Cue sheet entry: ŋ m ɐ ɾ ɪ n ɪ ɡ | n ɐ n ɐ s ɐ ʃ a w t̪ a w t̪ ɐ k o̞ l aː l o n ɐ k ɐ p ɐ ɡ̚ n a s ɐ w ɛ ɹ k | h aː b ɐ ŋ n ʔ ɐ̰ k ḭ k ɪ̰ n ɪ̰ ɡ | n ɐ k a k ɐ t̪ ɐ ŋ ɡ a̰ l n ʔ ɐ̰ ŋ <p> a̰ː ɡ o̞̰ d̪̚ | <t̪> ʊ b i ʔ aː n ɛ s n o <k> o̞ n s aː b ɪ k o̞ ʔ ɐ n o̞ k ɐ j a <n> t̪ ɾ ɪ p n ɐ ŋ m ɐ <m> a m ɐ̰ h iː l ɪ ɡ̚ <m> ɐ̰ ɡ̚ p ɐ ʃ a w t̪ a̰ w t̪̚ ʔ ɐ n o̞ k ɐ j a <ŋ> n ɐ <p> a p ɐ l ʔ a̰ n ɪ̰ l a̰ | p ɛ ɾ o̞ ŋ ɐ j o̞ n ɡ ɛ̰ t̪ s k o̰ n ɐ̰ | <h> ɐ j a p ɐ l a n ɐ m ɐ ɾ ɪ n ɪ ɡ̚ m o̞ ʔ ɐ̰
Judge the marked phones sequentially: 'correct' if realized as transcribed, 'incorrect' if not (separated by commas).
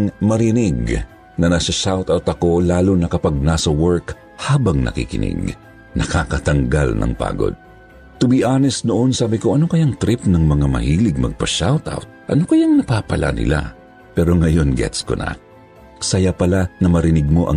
correct, correct, incorrect, incorrect, incorrect, correct, correct, correct, incorrect